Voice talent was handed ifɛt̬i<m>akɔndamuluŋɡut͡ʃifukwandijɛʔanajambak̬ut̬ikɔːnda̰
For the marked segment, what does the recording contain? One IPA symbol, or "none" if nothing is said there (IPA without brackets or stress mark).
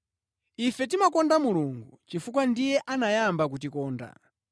m